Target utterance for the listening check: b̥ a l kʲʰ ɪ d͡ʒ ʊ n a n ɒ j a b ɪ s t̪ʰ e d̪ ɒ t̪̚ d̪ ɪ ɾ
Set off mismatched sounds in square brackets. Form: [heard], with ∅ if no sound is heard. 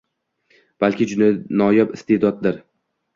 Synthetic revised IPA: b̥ a l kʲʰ ɪ d͡ʒ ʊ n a n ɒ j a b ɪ s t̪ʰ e d̪ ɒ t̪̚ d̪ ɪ ɾ